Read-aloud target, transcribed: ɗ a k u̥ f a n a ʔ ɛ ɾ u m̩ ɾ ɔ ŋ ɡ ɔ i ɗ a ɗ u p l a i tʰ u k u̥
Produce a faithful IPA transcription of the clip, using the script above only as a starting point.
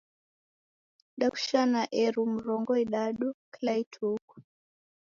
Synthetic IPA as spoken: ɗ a k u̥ ʃ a n a ʔ ɛ ɾ u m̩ ɾ ɔ ŋ ɡ ɔ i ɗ a ɗ u k l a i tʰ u k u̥